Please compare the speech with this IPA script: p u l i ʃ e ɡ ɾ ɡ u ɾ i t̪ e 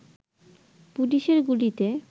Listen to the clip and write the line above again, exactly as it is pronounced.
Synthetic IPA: p u l i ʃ e ɾ ɡ u l i t̪ e